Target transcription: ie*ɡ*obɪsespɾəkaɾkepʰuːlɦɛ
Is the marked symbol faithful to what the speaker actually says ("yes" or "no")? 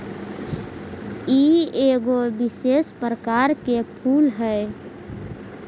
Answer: yes